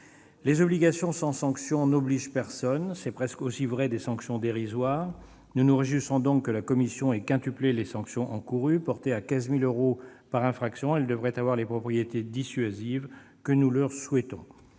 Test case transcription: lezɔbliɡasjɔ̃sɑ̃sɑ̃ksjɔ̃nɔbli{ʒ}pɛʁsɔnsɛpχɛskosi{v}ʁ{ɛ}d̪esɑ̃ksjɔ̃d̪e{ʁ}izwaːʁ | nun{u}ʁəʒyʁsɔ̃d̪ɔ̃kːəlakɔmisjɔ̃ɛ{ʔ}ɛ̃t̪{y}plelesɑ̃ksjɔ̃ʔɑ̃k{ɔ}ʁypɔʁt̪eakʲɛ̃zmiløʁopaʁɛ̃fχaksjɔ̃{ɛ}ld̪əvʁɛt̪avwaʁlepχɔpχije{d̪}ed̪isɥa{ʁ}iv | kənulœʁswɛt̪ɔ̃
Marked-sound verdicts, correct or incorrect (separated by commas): correct, correct, correct, correct, correct, incorrect, correct, incorrect, correct, incorrect, incorrect